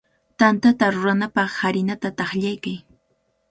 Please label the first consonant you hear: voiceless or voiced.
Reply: voiceless